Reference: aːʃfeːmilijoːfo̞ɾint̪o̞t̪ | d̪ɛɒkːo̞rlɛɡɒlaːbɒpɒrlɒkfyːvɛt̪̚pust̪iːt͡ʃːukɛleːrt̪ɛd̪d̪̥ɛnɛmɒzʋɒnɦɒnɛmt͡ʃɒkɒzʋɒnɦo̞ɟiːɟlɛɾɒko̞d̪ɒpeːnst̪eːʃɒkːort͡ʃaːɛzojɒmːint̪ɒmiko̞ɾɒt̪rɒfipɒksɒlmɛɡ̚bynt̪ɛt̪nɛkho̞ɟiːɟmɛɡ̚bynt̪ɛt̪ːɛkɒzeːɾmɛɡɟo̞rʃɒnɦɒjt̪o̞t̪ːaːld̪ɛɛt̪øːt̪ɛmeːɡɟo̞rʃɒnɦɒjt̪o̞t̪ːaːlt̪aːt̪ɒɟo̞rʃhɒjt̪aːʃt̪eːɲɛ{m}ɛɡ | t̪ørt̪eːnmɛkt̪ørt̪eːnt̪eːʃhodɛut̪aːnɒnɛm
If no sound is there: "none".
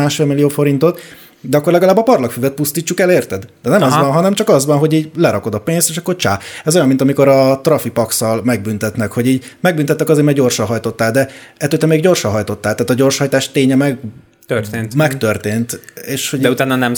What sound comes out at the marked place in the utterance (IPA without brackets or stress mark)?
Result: m